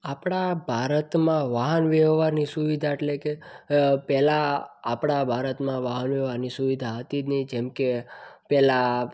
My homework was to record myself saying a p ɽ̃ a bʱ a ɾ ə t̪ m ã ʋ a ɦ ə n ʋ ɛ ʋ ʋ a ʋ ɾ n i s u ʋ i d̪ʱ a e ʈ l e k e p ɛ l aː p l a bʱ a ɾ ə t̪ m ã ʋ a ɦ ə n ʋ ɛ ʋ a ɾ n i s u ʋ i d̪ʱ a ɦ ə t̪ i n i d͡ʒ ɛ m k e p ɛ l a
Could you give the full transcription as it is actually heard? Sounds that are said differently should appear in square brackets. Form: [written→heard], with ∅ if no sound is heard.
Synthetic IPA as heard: a p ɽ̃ a bʱ a ɾ ə t̪ m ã ʋ a ɦ ə n ʋ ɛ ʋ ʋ a [ʋ→∅] ɾ n i s u ʋ i d̪ʱ a e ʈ l e k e p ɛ l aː p [l→ɽ] a bʱ a ɾ ə t̪ m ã ʋ a ɦ ə n ʋ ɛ ʋ a ɾ n i s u ʋ i d̪ʱ a ɦ ə t̪ i n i d͡ʒ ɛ m k e p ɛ l a